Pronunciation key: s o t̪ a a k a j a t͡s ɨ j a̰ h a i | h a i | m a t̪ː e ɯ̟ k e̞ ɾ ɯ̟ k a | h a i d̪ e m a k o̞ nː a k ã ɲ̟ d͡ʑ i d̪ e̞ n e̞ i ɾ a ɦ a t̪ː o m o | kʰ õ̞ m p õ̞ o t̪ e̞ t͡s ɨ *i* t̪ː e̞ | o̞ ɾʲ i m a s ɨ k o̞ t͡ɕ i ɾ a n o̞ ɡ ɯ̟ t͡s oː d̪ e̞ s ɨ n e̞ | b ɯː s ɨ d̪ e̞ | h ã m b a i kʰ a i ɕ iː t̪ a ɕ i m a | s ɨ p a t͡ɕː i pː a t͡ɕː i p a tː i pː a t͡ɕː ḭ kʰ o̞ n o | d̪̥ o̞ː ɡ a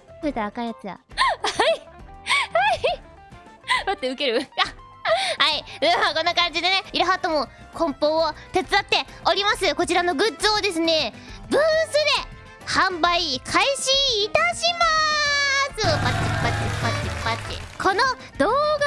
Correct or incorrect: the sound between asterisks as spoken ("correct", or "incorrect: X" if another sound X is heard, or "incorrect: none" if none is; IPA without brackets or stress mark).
incorrect: a